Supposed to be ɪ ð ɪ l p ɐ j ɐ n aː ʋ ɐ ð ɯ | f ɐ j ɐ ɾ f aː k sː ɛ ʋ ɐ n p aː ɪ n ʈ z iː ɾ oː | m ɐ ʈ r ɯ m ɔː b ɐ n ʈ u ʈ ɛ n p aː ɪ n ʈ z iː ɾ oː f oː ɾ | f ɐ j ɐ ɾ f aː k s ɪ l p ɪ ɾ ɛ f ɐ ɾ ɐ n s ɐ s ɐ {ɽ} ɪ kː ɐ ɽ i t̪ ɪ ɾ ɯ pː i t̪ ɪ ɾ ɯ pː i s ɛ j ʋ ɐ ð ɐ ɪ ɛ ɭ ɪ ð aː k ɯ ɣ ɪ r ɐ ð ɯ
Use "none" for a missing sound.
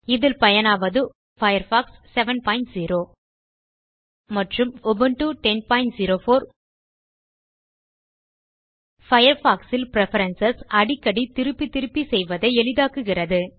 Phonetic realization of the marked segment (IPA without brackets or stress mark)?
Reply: ɽ